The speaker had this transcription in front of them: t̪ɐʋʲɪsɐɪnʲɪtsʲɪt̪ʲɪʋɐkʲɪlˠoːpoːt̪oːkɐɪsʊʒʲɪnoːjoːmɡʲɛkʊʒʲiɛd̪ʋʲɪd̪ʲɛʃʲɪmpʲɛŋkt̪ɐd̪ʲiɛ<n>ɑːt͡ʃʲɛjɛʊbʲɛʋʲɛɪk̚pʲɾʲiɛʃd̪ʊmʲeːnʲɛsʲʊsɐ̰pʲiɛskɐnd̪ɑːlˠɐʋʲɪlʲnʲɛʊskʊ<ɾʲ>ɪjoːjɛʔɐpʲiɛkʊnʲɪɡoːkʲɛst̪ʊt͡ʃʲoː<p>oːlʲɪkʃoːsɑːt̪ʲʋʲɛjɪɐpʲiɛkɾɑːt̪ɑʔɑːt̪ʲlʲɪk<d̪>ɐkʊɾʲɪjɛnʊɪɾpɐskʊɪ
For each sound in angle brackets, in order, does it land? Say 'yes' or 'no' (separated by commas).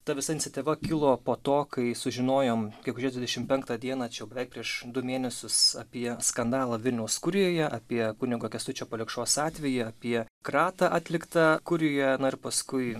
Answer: yes, yes, yes, no